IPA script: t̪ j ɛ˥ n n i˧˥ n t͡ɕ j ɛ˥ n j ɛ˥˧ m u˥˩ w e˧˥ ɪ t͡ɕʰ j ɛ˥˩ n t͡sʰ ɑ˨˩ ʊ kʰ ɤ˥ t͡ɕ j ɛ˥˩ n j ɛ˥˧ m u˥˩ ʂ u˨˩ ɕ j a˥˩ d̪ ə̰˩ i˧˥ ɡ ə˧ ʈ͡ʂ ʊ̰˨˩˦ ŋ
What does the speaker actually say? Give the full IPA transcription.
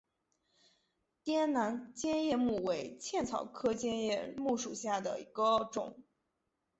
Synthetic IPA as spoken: t̪ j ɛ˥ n n a˧˥ n t͡ɕ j ɛ˥ n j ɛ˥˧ m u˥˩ w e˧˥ ɪ t͡ɕʰ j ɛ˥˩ n t͡sʰ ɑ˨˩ ʊ kʰ ɤ˥ t͡ɕ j ɛ˥ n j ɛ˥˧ m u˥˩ ʂ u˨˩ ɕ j a˥˩ d̪ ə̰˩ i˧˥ ɡ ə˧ ʈ͡ʂ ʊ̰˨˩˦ ŋ

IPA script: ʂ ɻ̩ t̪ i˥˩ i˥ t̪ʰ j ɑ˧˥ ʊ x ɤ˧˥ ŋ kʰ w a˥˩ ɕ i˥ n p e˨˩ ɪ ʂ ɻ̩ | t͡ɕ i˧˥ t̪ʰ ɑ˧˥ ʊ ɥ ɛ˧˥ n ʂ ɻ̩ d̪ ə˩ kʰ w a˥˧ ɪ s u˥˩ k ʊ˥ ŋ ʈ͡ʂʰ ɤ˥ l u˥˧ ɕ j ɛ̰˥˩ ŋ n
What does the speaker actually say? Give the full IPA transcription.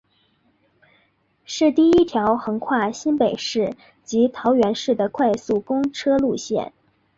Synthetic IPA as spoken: ʂ ɻ̩ t̪ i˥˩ i˥ t̪ʰ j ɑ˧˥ ʊ x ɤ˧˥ ŋ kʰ w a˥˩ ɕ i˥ n p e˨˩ ɪ ʂ ɻ̩ | t͡ɕ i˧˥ t̪ʰ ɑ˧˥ ʊ ɥ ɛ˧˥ n ʂ ɻ̩ d̪ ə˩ kʰ w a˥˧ ɪ s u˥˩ k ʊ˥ ŋ ʈ͡ʂʰ ɤ˥ l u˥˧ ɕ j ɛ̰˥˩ n

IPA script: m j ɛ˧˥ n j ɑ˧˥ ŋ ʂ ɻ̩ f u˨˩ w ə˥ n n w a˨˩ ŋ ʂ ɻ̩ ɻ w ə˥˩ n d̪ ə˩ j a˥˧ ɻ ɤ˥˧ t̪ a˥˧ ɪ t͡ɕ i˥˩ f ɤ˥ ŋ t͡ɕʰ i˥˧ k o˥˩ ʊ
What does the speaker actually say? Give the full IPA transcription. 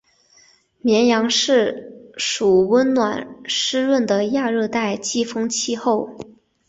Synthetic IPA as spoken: m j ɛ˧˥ n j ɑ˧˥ ŋ ʂ ɻ̩ ʂ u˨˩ w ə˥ n n w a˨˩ n ʂ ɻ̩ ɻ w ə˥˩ n d̪ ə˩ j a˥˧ ɻ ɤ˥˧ t̪ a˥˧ ɪ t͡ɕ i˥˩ f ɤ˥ ŋ t͡ɕʰ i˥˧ x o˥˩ ʊ

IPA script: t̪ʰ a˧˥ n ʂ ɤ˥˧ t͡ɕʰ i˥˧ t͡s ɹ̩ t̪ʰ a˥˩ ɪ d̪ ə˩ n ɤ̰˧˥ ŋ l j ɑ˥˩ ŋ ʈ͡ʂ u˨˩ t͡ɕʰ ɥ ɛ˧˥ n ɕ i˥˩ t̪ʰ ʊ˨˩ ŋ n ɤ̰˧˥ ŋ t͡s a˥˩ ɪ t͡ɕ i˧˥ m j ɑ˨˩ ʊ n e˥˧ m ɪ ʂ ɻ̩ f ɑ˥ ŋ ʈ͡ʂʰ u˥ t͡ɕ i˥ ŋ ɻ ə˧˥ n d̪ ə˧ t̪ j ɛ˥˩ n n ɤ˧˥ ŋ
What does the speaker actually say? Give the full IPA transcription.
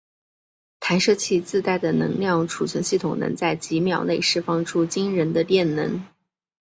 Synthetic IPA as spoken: t̪ʰ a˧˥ n ʂ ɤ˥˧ t͡ɕʰ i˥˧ t͡s ɹ̩ t̪ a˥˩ ɪ d̪ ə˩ n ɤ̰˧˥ ŋ l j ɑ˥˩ ŋ ʈ͡ʂʰ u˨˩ t͡ɕʰ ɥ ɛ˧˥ n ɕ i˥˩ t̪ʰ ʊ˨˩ ŋ n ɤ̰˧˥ ŋ t͡s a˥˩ ɪ t͡ɕ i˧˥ m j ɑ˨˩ ʊ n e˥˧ ɪ ʂ ɻ̩ f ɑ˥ ŋ ʈ͡ʂʰ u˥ t͡ɕ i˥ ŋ ɻ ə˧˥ n d̪ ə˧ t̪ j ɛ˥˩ n n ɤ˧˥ ŋ

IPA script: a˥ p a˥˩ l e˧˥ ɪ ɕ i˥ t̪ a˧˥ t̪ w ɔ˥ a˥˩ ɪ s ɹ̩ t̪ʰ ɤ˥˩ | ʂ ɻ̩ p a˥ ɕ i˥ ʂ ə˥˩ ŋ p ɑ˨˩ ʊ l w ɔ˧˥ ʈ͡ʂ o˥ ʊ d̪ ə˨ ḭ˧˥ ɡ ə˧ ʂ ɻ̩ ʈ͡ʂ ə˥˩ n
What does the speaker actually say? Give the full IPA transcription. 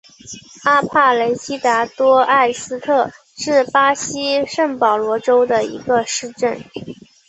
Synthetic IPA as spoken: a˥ pʰ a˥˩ l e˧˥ ɪ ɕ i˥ t̪ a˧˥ t̪ w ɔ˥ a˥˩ ɪ s ɹ̩ t̪ʰ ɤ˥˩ | ʂ ɻ̩ p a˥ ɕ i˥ ʂ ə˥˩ ŋ p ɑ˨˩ ʊ l w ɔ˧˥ ʈ͡ʂ o˥ ʊ d̪ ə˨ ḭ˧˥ ɡ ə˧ ʂ ɻ̩ ʈ͡ʂ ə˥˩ n

